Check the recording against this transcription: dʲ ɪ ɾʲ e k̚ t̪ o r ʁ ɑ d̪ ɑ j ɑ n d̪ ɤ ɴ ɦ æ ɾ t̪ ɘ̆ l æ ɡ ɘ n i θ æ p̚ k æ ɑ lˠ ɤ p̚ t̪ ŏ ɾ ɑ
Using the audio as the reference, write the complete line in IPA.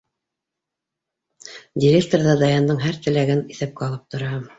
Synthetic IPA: dʲ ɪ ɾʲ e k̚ t̪ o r ð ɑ d̪ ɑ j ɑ n d̪ ɤ ɴ ɦ æ ɾ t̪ ɘ̆ l æ ɡ ɘ n i θ æ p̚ k æ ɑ lˠ ɤ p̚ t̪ ŏ ɾ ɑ